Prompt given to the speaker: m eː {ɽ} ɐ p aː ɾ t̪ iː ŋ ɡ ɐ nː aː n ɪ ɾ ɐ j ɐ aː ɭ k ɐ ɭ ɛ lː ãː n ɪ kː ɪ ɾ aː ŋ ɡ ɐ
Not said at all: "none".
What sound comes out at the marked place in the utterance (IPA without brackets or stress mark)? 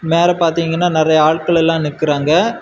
ɾ